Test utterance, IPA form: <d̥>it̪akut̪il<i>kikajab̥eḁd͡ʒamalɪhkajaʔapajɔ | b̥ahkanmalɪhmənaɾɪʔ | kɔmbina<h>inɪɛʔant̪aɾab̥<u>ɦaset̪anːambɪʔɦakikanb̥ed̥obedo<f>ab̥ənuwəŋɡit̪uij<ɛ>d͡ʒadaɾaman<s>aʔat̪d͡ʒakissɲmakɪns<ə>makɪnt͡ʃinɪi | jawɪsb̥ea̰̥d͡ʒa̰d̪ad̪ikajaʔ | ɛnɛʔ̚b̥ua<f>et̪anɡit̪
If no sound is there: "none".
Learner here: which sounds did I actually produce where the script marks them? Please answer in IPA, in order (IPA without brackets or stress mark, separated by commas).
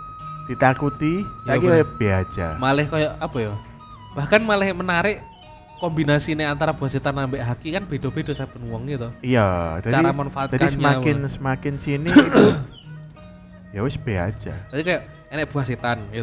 d̥, a, s, u, s, a, f, ə, s